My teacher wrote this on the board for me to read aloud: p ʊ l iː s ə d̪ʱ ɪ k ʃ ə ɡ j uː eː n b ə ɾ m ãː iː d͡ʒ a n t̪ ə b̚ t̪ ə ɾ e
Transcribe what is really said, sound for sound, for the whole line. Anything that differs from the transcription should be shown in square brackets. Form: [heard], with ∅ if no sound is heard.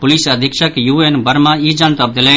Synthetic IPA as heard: p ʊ l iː s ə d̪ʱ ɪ k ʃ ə [k] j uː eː n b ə ɾ m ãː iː d͡ʒ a n t̪ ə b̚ [d̪] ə [l] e